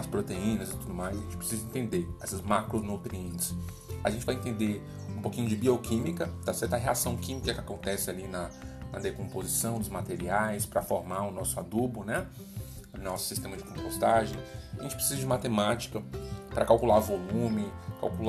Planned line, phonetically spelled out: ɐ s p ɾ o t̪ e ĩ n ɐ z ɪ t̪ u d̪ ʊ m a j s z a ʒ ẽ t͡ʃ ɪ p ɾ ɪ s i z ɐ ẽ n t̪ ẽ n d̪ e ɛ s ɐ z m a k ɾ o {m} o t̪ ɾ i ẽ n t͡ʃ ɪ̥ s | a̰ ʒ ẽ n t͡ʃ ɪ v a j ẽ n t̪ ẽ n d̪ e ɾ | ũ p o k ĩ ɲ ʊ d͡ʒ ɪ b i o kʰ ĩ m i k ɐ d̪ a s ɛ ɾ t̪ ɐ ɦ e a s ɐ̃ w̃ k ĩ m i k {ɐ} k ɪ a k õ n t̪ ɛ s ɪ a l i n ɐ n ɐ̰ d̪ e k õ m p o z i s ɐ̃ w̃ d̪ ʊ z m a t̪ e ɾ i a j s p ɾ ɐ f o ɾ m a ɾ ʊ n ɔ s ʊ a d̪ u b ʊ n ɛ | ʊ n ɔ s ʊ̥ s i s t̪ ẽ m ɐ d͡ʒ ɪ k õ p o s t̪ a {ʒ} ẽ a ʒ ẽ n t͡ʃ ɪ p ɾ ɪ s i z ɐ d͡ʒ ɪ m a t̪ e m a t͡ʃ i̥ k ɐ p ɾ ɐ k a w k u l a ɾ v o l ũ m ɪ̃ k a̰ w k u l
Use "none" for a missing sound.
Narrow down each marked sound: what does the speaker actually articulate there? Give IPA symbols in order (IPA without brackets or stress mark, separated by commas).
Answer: n, ɐ, ʒ